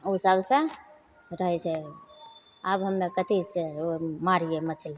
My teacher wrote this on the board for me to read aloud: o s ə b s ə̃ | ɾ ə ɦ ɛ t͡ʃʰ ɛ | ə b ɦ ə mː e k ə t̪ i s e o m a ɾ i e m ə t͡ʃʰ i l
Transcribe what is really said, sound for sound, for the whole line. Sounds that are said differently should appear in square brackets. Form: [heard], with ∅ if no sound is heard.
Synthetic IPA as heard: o s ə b s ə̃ | ɾ ə ɦ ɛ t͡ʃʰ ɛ | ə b ɦ ə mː e k ə t̪ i s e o m a ɾ i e m ə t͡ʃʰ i l